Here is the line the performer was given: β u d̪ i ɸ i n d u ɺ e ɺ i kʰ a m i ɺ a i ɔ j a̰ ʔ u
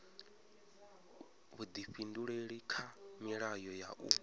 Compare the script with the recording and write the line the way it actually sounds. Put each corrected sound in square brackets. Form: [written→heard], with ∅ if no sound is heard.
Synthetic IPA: β u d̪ i ɸ i n d u ɺ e ɺ i kʰ a m i ɺ a [i→j] ɔ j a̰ ʔ u